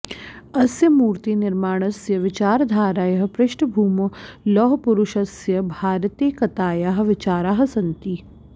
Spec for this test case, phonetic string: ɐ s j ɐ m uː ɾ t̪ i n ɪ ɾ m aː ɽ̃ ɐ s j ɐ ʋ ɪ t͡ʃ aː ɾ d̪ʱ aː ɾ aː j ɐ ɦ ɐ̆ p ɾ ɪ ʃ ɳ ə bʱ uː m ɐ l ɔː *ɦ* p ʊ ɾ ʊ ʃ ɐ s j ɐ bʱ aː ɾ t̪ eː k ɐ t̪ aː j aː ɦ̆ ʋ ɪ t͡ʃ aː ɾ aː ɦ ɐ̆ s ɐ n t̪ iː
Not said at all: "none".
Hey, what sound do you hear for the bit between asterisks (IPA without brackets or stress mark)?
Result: ɦ